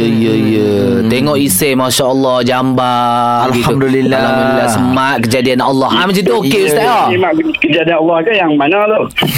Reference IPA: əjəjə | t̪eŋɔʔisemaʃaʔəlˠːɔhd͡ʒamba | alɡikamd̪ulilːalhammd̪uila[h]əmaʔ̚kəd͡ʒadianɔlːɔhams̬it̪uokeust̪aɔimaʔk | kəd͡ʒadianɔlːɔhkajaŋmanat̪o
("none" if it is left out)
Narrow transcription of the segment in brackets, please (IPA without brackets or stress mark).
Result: s